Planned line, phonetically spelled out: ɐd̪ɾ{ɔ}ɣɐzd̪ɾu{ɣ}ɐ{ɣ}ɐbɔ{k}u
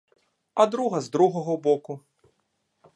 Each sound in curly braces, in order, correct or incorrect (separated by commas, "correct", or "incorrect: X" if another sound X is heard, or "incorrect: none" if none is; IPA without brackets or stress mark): incorrect: u, correct, correct, correct